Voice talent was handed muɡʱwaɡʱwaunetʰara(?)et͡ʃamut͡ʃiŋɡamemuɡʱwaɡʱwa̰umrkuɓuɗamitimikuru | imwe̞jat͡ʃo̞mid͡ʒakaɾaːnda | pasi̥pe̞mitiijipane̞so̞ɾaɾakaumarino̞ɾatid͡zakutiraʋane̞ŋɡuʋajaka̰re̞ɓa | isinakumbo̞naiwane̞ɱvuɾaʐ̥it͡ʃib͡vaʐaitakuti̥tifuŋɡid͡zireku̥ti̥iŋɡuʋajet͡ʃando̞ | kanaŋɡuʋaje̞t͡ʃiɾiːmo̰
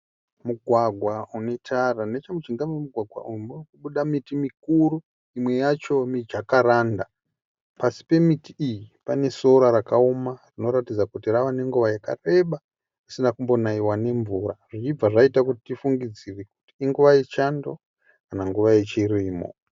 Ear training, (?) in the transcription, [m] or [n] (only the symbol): n